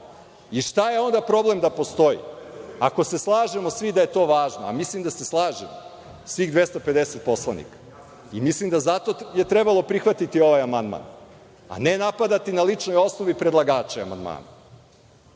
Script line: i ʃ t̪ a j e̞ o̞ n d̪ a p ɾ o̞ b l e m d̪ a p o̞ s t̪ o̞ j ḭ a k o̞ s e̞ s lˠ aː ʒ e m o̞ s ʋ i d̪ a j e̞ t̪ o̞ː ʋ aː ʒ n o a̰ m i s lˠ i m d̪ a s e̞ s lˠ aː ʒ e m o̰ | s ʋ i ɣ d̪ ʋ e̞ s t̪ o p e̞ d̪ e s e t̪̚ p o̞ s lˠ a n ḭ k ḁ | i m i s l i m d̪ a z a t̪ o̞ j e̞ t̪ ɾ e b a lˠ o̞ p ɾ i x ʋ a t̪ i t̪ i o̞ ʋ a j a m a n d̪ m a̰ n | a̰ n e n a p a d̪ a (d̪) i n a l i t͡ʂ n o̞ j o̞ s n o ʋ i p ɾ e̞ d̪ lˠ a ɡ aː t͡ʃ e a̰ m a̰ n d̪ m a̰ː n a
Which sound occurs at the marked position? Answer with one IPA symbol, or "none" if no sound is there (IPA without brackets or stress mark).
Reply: t̪